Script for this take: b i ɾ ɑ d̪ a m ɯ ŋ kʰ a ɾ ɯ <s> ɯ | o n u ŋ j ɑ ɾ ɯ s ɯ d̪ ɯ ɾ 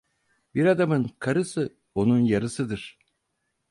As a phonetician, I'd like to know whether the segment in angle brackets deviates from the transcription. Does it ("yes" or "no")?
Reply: no